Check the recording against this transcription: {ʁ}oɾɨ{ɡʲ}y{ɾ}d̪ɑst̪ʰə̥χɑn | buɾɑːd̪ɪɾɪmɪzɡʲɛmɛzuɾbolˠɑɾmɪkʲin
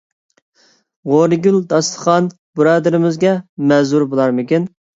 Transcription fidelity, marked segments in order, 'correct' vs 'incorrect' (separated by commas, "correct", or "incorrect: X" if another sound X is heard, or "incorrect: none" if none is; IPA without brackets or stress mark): correct, correct, incorrect: l